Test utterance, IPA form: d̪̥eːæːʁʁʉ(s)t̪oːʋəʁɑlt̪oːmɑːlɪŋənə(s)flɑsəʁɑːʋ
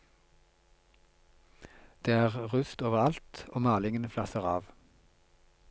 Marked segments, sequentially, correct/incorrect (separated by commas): correct, incorrect